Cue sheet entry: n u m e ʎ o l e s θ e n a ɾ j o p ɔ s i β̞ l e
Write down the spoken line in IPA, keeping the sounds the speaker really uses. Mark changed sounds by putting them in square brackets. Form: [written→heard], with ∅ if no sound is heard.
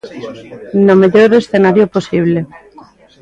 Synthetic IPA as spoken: n [u→o] m e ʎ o [l→ɾ] e s θ e n a ɾ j o p [ɔ→o] s i β̞ l e